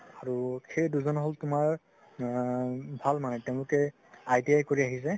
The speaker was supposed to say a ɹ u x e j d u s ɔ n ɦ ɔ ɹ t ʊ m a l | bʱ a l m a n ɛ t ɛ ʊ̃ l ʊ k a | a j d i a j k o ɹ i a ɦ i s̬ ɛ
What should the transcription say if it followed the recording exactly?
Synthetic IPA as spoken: a ɹ u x e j d u z ɔ n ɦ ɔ l t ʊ m a ɹ | bʱ a l m a n ɛ t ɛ ʊ̃ l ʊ k ɛ | a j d i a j k o ɹ i a ɦ i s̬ ɛ